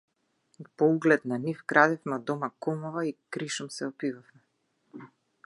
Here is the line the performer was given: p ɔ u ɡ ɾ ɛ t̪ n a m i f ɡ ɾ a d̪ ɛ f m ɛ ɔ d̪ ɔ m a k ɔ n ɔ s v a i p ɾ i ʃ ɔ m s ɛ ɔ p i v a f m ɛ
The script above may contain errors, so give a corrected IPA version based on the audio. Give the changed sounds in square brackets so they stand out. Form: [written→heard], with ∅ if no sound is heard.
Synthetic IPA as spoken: p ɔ u ɡ [ɾ→l] ɛ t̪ n a [m→n] i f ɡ ɾ a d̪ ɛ f m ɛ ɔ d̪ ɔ m a k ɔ [n→m] ɔ [s→∅] v a i [p→k] ɾ i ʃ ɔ m s ɛ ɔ p i v a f m ɛ